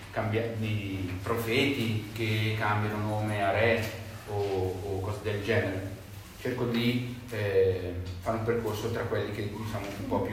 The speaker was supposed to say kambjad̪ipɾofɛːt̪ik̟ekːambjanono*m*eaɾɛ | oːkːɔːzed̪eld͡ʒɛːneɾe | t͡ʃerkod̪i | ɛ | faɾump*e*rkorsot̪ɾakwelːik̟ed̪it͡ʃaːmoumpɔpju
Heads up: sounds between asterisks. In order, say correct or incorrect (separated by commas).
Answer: correct, correct